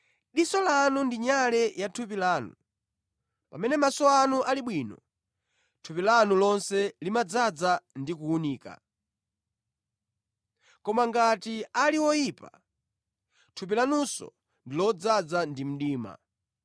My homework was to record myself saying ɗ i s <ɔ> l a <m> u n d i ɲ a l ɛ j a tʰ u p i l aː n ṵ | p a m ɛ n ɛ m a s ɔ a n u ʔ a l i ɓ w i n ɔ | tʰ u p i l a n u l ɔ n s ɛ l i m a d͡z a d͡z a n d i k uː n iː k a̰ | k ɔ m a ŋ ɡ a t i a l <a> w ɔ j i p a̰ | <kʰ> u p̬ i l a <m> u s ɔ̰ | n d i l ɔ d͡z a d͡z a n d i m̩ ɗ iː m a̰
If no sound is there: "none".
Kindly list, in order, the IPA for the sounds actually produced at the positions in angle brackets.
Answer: ɔ, n, i, tʰ, n

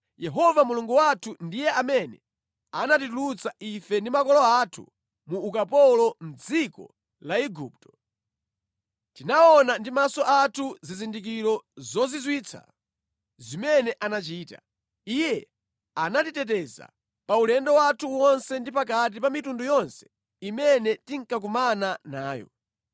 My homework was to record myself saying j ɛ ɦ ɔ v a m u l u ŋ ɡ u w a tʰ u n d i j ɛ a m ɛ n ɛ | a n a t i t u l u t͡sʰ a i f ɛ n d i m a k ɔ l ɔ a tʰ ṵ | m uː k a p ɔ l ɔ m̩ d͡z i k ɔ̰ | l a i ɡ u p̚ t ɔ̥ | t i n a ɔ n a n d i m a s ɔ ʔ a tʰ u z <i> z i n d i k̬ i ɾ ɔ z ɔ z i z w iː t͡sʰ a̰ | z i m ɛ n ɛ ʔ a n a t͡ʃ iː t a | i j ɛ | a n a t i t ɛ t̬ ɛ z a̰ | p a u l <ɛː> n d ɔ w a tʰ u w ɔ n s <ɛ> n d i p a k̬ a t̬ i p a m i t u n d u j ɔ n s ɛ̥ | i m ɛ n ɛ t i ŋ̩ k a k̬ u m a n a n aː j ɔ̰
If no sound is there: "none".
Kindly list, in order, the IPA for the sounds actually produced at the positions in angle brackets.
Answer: i, ɛ, ɛ

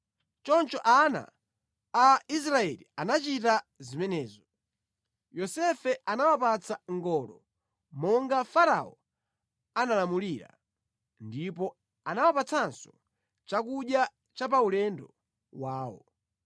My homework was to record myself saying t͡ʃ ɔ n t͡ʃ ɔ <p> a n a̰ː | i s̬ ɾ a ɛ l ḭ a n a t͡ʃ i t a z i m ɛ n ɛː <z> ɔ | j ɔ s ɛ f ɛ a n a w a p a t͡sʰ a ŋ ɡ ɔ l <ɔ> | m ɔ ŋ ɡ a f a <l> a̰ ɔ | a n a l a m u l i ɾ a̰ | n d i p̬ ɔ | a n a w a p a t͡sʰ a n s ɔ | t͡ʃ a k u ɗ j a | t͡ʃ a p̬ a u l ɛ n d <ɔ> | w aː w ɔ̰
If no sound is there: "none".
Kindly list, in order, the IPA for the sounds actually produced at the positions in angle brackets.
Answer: ʔ, z, ɔ, ɾ, ɔ

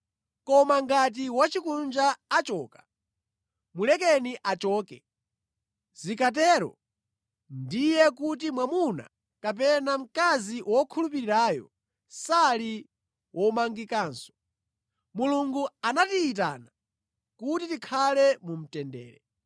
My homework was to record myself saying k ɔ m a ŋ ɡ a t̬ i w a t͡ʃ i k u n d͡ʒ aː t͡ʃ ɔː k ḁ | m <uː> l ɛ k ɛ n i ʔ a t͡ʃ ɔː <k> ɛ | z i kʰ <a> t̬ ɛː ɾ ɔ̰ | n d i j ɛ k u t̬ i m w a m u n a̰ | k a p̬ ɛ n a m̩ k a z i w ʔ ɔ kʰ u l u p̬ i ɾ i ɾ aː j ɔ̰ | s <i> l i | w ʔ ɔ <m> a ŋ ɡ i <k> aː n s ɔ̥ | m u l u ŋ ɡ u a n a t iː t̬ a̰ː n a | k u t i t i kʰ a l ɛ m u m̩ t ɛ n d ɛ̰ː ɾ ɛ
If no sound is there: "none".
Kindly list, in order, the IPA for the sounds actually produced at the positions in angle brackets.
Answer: u, k, a, a, m, k

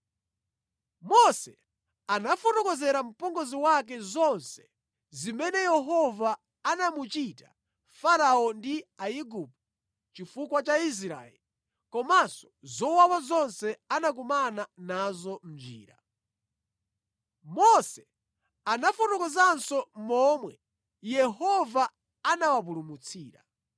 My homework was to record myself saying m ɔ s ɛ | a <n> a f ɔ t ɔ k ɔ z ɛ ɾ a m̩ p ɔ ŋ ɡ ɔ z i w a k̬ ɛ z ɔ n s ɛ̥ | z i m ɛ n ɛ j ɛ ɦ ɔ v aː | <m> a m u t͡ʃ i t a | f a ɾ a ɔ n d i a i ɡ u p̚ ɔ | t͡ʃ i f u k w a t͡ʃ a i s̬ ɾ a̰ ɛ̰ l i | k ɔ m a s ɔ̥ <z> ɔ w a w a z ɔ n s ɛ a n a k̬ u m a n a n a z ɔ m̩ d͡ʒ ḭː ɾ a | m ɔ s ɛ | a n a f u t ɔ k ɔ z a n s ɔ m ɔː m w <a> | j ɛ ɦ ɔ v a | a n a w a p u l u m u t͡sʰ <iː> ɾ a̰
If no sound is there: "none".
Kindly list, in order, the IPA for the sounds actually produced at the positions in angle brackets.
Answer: n, n, z, ɛ, iː

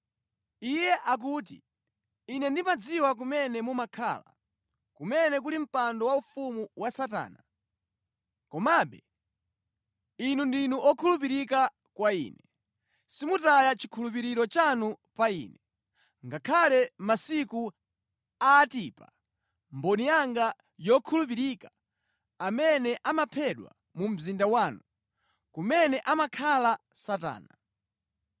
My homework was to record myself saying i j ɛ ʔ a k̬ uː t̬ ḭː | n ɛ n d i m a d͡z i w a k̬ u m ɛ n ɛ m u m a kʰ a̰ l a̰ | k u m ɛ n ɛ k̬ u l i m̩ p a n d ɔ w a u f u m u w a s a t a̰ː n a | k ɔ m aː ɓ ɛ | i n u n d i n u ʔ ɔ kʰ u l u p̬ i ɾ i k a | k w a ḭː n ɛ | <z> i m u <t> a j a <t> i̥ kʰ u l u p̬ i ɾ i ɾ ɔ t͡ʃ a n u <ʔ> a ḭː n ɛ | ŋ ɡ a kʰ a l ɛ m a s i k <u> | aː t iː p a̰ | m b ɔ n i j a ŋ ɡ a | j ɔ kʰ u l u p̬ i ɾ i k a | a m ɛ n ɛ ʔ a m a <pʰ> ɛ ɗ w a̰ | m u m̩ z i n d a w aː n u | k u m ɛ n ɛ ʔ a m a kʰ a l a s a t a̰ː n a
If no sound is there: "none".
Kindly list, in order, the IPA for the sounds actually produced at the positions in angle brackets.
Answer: s, t, t͡ʃ, p, u, pʰ

